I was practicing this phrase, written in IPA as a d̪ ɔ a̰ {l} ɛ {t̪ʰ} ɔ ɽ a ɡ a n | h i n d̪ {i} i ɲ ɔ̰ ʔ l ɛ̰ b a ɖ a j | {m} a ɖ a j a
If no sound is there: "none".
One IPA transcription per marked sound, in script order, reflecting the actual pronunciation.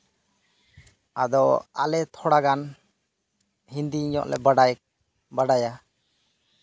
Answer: l, t̪ʰ, i, b

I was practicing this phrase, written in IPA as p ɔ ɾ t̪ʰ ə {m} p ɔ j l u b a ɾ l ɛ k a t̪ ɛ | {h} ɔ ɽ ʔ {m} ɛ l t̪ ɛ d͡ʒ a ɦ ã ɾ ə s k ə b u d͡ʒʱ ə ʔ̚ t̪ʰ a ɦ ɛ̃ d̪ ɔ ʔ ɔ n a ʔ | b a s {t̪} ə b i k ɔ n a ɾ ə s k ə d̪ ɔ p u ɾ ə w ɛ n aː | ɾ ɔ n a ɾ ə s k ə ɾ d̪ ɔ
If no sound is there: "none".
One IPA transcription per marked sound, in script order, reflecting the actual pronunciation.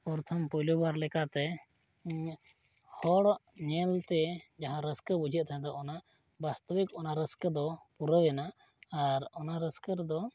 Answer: m, h, ɲ, t̪

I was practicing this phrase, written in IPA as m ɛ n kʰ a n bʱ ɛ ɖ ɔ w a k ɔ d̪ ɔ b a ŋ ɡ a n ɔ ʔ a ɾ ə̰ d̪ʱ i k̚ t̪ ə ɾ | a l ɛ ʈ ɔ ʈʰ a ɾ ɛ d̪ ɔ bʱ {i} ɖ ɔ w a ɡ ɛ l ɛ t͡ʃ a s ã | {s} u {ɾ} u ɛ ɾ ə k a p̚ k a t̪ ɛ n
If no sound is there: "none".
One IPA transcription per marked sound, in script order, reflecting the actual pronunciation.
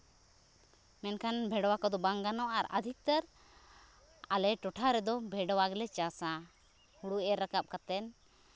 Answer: ɛ, h, ɽ

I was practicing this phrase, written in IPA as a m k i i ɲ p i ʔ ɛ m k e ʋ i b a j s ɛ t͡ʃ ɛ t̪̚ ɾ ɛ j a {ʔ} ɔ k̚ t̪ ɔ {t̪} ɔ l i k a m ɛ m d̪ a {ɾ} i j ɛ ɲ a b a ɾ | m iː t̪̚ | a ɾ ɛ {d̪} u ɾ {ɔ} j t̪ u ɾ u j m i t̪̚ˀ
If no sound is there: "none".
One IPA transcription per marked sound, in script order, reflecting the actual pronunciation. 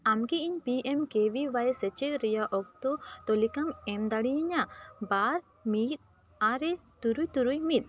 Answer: ʔ, t̪, ɽ, t̪, u

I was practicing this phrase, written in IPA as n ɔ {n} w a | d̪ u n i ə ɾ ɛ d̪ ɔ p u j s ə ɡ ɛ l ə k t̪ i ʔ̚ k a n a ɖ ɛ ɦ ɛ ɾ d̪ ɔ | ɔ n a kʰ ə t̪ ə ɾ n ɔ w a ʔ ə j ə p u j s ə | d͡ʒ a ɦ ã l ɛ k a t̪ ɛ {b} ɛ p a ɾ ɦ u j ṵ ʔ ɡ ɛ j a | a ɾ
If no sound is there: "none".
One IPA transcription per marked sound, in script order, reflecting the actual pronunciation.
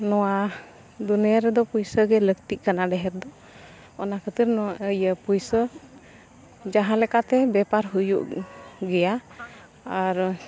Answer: none, b

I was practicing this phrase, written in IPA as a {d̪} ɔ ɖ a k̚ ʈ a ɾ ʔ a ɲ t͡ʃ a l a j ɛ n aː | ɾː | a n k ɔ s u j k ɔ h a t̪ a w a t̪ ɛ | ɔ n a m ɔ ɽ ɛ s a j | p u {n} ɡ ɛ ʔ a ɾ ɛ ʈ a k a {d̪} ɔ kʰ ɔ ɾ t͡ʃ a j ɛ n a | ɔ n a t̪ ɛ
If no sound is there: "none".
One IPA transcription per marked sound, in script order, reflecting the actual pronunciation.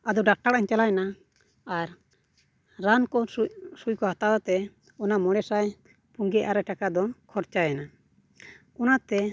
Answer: d̪, ŋ, d̪

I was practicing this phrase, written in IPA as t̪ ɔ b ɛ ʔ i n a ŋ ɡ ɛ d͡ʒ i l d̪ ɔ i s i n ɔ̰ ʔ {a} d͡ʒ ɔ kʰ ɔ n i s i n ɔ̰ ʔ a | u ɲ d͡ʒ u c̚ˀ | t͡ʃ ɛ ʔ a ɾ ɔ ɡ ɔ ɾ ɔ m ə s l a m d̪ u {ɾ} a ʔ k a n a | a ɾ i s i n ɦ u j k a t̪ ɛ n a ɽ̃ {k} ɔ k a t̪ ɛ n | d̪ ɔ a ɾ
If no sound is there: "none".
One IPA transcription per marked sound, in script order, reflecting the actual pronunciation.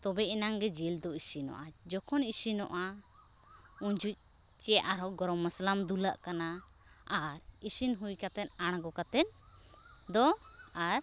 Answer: a, l, ɡ

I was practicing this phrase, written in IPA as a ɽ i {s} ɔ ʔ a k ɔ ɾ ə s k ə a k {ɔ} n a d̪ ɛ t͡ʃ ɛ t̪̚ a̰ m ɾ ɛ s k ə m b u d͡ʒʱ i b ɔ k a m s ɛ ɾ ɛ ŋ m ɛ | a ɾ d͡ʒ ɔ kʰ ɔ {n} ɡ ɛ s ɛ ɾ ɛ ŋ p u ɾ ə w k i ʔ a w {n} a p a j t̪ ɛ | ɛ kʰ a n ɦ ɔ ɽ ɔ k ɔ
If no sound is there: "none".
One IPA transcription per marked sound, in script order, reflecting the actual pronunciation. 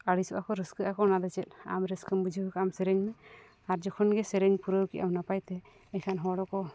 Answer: s, ɔ, n, n

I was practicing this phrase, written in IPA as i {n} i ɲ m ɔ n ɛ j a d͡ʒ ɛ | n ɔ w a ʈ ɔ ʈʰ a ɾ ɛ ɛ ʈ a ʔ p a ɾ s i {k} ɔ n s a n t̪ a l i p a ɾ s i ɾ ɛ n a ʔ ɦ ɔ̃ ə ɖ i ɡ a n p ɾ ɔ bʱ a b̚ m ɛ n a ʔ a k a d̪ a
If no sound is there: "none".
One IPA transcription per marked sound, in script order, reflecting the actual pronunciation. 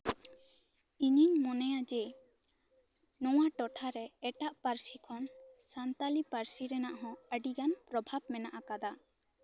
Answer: ɲ, kʰ

